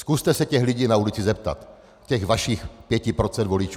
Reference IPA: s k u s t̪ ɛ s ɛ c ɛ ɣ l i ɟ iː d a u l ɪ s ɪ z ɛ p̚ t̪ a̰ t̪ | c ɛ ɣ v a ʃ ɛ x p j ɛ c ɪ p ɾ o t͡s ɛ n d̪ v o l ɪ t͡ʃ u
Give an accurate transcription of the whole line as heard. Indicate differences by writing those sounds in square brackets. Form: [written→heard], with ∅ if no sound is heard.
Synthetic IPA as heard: s k u s t̪ ɛ s ɛ c ɛ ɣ l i ɟ iː [d→n] a u l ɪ [s→t͡s] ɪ z ɛ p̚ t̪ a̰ t̪ | c ɛ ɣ v a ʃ [ɛ→i] x p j ɛ c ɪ p ɾ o t͡s ɛ n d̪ v o l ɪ t͡ʃ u